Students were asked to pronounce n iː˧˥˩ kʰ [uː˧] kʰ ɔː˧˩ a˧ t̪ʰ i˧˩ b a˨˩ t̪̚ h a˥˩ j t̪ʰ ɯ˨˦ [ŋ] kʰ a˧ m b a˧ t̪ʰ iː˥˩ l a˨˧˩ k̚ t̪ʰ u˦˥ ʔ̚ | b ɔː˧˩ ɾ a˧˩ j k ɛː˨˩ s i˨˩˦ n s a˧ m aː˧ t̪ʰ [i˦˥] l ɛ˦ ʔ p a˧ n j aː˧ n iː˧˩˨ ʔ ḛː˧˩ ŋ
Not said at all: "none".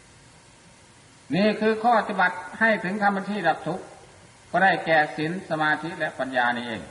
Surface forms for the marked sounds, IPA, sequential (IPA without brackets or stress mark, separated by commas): ɯː˧, ŋ, i˦˥